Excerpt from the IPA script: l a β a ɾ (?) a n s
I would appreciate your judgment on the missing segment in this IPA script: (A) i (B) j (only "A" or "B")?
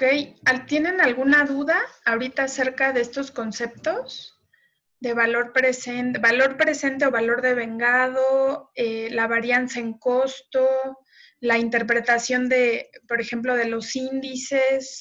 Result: B